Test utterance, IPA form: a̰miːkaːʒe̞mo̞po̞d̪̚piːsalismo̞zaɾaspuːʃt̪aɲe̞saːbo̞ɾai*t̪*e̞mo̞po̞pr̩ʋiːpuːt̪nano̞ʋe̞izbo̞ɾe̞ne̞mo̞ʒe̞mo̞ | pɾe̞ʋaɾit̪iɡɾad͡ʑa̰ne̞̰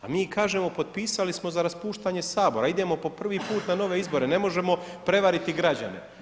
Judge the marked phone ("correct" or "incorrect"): incorrect